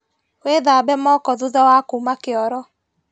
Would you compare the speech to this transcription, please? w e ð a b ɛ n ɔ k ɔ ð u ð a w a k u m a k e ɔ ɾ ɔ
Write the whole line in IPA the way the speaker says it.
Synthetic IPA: w e ð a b ɛ m ɔ k ɔ ð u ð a w a k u m a k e ɔ ɾ ɔ